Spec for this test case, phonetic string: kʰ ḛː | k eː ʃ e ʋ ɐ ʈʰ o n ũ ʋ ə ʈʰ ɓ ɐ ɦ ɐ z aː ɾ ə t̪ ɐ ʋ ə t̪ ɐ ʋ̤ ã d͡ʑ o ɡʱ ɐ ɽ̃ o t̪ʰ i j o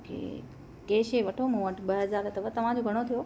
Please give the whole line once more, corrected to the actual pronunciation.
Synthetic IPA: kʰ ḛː | k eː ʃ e ʋ ɐ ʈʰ o m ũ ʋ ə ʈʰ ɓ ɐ ɦ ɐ z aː ɾ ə t̪ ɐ ʋ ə t̪ ɐ ʋ̤ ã d͡ʑ o ɡʱ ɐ ɽ̃ o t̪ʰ i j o